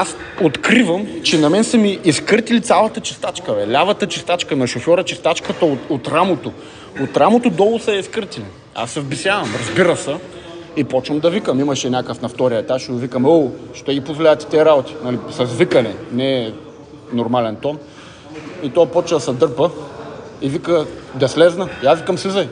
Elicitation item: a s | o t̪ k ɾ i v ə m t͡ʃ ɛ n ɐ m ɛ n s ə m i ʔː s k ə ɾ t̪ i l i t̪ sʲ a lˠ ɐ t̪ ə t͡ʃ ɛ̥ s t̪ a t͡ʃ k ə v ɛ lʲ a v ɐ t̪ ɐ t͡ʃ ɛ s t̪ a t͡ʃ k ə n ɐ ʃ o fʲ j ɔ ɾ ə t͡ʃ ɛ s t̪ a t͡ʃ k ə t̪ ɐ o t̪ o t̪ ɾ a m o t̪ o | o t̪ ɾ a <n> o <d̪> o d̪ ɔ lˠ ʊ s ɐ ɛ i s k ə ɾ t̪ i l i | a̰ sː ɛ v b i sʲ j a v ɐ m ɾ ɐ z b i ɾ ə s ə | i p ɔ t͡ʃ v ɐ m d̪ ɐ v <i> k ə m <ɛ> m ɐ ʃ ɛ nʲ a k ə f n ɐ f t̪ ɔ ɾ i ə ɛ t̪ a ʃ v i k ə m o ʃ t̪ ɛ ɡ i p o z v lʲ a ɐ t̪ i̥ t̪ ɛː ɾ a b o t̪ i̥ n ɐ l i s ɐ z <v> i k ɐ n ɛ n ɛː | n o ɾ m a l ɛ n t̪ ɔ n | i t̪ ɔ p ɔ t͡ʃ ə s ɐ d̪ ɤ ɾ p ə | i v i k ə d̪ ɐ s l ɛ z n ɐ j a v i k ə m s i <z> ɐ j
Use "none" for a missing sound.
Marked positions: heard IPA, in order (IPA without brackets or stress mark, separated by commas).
m, t̪, i, i, v, z